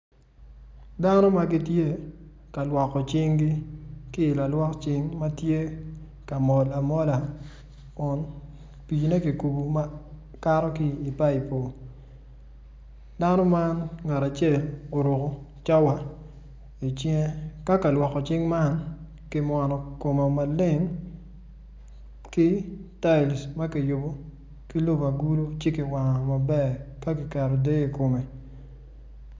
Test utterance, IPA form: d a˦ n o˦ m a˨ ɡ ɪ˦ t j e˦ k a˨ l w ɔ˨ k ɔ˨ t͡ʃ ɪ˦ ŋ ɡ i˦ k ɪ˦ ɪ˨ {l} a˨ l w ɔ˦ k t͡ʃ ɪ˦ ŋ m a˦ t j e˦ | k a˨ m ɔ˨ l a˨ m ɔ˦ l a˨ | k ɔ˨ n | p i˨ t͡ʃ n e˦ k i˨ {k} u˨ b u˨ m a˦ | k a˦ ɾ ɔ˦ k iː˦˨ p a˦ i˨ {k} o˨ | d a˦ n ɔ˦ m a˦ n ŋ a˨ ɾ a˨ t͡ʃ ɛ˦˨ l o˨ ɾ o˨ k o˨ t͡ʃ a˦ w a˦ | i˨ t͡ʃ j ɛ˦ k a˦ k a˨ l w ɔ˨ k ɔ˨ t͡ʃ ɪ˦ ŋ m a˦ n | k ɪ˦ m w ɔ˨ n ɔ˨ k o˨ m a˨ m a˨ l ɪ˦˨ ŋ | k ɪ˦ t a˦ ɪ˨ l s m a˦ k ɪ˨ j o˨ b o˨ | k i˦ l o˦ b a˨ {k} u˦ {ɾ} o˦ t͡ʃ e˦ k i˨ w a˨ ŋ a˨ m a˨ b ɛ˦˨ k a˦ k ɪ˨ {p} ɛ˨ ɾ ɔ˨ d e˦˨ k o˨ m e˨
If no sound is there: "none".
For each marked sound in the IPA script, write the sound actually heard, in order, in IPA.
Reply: l, k, p, ɡ, l, k

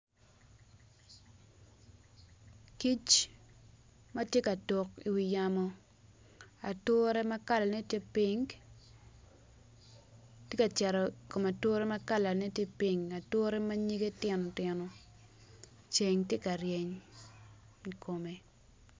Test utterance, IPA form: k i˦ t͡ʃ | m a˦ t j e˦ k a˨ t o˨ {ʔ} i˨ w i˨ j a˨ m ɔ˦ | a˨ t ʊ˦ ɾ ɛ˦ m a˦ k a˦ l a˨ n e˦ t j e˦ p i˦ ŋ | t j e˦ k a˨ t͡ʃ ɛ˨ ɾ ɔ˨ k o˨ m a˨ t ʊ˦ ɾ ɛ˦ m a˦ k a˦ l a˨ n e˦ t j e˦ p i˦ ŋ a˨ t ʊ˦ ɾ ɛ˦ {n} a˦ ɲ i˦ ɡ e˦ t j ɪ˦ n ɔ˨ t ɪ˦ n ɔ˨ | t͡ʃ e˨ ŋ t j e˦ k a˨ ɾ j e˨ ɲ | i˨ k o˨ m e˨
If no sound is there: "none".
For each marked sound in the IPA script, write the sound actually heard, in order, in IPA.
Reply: k, m

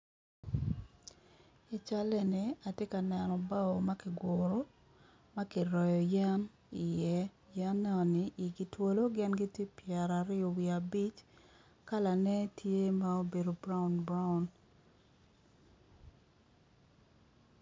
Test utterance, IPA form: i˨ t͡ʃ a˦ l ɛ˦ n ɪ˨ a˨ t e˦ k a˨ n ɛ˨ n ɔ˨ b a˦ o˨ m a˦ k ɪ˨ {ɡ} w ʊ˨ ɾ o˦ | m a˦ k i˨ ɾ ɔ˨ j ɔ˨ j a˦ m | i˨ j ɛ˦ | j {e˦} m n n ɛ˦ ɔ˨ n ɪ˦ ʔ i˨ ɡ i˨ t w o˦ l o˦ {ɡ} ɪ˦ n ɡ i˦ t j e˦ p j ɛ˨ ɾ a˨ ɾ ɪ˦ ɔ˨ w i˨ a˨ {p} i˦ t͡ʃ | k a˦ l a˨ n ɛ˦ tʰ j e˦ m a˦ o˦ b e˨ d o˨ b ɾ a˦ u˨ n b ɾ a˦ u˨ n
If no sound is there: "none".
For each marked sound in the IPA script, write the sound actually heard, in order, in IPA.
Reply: ɡ, a˦, ɡ, b

